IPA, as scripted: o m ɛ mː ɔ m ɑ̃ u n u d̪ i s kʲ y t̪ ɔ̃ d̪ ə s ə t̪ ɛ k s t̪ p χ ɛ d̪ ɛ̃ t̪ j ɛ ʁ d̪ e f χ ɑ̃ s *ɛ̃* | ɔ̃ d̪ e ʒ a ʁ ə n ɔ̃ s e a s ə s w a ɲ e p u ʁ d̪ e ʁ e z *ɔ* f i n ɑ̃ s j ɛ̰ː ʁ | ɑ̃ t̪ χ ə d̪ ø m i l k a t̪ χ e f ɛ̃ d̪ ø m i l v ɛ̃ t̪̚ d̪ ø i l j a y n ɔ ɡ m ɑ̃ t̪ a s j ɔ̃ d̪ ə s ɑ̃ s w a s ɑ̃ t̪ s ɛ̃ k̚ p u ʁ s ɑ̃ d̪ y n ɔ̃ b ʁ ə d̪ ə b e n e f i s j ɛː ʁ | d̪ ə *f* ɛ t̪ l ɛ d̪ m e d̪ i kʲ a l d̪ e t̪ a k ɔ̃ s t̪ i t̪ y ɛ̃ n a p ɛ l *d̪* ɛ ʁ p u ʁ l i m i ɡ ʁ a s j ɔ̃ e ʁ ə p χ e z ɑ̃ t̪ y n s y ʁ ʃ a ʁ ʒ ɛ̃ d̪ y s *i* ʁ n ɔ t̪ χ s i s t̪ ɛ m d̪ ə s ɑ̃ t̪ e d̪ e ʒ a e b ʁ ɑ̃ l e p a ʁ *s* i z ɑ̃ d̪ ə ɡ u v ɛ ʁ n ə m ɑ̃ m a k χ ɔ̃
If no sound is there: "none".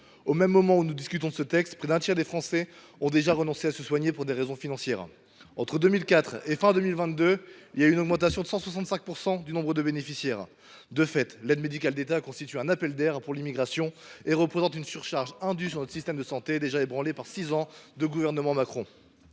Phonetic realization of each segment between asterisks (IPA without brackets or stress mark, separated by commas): ɛ, ɔ̃, f, d̪, y, s